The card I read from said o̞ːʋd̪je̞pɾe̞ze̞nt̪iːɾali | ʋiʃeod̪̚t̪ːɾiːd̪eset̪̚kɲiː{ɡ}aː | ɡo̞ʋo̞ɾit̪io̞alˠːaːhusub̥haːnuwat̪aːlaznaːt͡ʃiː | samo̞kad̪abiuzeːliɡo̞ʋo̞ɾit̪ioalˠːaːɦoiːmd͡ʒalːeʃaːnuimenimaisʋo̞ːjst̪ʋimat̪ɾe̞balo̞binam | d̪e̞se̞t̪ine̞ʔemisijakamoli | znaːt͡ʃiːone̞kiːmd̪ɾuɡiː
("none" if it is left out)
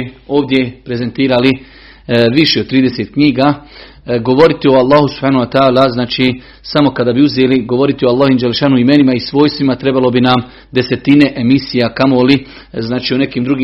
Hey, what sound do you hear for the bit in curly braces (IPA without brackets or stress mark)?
ɡ